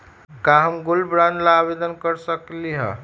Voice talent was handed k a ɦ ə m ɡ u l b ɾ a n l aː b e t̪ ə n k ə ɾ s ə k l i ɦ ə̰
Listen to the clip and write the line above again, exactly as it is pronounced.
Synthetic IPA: k a ɦ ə m ɡ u l b ɾ a n l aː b e d̪ ə n k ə ɾ s ə k l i ɦ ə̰